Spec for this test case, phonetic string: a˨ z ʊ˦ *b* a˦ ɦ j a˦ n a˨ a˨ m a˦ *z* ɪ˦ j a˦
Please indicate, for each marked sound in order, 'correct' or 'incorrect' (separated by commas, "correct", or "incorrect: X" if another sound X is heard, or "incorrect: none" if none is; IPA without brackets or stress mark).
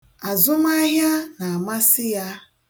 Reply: incorrect: m, incorrect: s